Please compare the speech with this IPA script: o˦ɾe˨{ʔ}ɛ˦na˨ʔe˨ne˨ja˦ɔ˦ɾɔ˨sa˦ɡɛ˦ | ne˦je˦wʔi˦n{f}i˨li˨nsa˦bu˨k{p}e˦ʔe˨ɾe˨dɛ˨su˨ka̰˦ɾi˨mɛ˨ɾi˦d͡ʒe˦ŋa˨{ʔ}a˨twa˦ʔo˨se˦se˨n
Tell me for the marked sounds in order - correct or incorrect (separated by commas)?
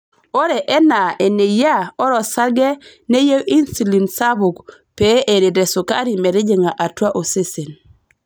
correct, incorrect, correct, correct